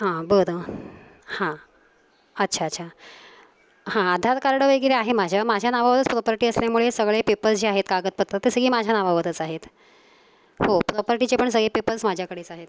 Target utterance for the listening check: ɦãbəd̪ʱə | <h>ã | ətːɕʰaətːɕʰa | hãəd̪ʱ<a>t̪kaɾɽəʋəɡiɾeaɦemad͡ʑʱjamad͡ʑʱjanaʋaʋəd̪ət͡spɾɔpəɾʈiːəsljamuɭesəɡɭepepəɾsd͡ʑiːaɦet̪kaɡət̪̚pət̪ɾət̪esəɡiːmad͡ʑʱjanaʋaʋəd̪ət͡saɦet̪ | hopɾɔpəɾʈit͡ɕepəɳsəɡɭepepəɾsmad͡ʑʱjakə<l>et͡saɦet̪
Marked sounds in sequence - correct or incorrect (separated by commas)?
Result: correct, correct, incorrect